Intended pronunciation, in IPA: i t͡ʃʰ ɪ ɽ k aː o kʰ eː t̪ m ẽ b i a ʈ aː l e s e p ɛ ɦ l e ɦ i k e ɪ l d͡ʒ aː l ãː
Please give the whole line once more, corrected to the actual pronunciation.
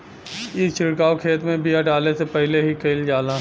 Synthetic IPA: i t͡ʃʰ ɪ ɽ k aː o kʰ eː t̪ m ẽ b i a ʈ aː l e s e p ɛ ɦ l e ɦ i k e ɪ l d͡ʒ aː l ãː